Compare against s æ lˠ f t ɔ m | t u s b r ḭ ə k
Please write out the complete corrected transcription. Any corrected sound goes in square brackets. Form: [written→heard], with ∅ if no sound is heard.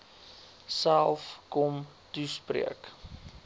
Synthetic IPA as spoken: s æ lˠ f [t→k] ɔ m | t u s [b→p] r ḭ ə k